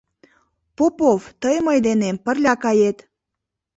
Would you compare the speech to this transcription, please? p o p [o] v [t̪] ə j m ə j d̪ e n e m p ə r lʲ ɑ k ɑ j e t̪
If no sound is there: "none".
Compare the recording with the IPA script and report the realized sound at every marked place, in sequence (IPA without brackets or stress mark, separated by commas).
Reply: o, t̪